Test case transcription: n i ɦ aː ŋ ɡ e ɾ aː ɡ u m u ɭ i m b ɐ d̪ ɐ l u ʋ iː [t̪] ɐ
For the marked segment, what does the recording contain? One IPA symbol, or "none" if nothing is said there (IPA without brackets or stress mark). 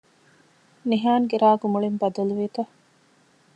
t̪